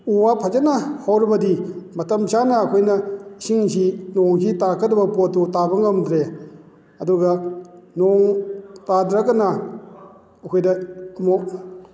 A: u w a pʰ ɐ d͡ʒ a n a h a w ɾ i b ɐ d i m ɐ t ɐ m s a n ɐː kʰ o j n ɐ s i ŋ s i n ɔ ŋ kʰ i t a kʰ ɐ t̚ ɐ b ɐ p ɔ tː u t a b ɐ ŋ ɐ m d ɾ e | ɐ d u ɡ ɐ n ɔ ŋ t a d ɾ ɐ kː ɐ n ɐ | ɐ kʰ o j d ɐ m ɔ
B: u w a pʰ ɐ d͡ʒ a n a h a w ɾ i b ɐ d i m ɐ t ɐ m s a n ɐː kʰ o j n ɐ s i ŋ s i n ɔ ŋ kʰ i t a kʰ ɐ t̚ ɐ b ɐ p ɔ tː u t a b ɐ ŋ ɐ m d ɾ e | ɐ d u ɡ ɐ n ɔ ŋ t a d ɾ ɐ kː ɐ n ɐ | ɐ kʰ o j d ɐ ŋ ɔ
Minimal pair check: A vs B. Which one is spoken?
A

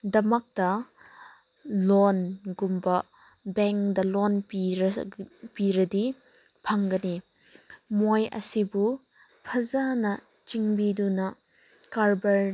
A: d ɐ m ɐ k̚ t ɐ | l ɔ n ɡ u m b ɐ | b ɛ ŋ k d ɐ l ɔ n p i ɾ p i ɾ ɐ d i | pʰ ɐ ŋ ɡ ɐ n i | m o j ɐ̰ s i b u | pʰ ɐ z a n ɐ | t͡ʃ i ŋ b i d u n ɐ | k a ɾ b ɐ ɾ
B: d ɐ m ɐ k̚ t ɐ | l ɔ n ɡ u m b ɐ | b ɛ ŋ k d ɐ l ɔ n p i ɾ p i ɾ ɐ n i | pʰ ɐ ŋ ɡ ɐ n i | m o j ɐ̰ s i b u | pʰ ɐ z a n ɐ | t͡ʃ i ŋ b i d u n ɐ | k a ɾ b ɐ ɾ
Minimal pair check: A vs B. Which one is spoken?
A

